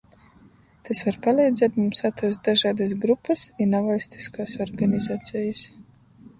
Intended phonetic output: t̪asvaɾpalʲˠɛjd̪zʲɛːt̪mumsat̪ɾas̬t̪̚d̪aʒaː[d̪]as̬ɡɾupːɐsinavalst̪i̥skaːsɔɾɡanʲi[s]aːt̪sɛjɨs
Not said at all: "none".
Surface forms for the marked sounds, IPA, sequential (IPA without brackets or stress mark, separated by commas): d̪, z